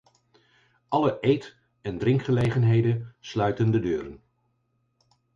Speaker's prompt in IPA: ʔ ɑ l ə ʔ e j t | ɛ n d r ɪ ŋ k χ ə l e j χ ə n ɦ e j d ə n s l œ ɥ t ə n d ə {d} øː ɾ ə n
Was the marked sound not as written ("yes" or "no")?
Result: no